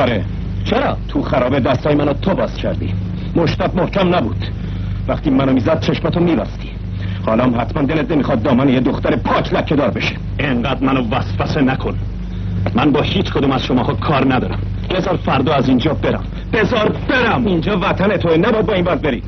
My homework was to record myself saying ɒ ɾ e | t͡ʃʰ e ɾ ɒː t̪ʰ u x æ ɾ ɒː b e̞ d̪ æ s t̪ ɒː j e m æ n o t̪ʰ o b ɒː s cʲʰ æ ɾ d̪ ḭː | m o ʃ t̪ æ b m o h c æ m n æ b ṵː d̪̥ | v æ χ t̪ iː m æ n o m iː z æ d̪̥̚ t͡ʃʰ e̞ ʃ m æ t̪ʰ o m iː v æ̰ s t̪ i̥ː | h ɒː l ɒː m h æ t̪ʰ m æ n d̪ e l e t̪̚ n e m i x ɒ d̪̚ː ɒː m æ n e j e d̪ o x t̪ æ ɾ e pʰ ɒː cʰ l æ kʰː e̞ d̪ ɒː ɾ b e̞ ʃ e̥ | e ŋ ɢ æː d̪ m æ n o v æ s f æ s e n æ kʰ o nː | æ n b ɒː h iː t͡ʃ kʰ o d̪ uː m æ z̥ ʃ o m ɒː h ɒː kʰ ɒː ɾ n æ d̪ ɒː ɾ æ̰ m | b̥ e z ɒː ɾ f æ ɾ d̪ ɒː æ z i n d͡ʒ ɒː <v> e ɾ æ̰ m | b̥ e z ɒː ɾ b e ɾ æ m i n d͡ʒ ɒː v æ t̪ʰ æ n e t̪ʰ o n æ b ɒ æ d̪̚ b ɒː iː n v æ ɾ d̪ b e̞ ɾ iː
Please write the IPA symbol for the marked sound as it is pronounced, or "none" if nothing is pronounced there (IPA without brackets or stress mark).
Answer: b